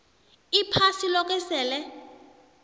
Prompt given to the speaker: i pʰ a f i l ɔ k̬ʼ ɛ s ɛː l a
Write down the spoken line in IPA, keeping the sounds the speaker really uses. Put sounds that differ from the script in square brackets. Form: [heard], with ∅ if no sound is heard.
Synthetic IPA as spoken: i pʰ a [s] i l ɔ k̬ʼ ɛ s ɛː l [ɛ]

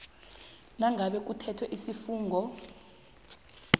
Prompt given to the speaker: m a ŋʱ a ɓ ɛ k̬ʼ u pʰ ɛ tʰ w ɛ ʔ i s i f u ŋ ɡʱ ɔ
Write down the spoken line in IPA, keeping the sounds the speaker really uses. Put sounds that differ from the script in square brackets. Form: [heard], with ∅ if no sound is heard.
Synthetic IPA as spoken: [n] a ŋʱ a ɓ ɛ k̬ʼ u [tʰ] ɛ tʰ w ɛ ʔ i s i f [uː] ŋ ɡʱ ɔ

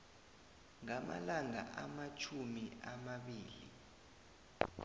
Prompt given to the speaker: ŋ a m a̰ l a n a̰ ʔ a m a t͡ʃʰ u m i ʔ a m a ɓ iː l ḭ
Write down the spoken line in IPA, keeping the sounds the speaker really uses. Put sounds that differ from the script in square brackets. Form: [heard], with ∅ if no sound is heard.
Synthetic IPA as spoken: ŋ a m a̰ l a [ŋ] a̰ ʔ a m a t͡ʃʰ u m i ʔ a m a ɓ iː l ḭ

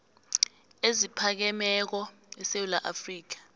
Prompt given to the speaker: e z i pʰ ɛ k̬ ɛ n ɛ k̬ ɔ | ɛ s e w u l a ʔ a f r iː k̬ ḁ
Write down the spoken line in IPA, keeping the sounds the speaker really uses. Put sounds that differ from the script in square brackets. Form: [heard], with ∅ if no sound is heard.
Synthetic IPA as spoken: e z i pʰ [a] k̬ ɛ [m] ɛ k̬ ɔ | ɛ s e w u l a ʔ a f r iː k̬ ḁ

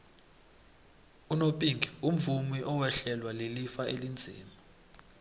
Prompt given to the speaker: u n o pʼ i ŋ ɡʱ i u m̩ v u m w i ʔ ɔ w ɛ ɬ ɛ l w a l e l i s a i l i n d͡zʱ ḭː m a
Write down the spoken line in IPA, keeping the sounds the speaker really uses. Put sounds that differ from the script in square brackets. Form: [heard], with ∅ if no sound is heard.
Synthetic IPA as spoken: u n o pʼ i ŋ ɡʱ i u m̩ v u m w i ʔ ɔ w ɛ ɬ ɛ l w a l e l i [f] a [e] l i n d͡zʱ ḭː m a

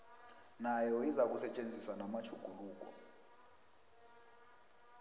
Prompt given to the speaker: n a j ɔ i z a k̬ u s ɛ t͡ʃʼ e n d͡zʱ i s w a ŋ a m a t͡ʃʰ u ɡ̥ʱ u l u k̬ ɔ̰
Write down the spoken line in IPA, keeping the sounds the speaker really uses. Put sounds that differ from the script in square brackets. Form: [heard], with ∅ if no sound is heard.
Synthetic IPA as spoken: n a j ɔ i z a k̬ u s ɛ t͡ʃʼ e n d͡zʱ i s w a [n] a m a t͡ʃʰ u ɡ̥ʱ u l [uː] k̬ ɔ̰

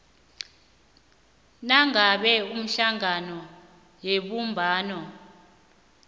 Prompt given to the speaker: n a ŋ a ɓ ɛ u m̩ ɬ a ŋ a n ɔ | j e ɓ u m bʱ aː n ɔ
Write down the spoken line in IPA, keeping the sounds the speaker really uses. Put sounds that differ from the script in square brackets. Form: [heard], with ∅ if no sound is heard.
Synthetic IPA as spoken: n a ŋ a ɓ ɛ u m̩ ɬ a ŋ a n ɔ | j e ɓ u m bʱ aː n ɔ

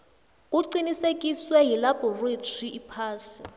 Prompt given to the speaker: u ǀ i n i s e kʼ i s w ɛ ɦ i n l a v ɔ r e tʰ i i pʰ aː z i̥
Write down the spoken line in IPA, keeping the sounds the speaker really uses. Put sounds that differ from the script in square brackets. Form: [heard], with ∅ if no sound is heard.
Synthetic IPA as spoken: u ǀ i n i s e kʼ i s w ɛ ɦ i [∅] l a [b] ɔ r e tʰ i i pʰ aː [s] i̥

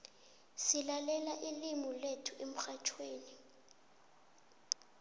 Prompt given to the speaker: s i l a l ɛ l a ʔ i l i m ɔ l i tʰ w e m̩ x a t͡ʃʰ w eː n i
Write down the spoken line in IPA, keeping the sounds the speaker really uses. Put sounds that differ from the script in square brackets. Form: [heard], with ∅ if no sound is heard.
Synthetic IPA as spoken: s i l a l ɛ l a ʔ i l i m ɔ l [e] tʰ [u] e m̩ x a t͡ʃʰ w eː n i

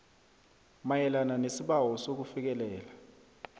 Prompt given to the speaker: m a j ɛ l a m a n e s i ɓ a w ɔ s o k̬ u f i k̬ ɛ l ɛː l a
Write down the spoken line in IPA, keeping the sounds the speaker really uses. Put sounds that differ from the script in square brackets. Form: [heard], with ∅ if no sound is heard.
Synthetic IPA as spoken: m a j ɛ l a [n] a n e s i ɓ a w ɔ s o k̬ u f i k̬ ɛ l ɛː l a

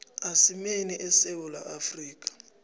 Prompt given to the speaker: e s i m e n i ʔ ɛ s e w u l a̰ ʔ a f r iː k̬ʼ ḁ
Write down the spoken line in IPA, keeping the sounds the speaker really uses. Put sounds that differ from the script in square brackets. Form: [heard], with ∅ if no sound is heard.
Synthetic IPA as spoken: [a] s i m e n i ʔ ɛ s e w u l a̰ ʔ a f r iː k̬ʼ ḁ

